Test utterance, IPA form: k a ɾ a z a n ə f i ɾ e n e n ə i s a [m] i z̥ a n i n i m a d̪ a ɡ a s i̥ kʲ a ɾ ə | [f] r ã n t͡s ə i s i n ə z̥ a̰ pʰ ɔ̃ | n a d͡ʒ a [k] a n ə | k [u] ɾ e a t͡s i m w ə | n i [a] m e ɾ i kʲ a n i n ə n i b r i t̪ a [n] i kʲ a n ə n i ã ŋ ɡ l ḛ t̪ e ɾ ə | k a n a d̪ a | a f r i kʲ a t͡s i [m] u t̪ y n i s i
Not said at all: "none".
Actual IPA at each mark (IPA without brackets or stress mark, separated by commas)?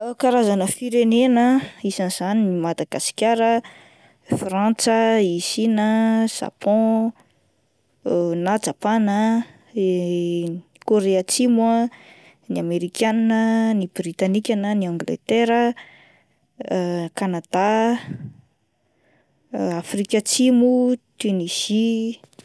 n, f, p, o, a, n, m